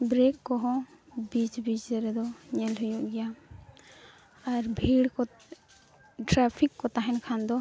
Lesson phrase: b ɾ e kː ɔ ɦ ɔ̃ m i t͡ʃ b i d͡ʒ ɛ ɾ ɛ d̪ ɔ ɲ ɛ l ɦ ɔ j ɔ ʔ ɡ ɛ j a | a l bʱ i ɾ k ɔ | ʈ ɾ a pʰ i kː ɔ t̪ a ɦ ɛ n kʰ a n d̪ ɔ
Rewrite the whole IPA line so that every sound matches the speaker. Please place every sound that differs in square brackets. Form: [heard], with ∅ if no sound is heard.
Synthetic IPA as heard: b ɾ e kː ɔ ɦ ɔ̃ [b] i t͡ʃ b i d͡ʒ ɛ ɾ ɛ d̪ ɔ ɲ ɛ l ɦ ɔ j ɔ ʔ ɡ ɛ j a | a [ɾ] bʱ i [ɽ] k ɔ | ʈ ɾ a pʰ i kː ɔ t̪ a ɦ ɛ n kʰ a n d̪ ɔ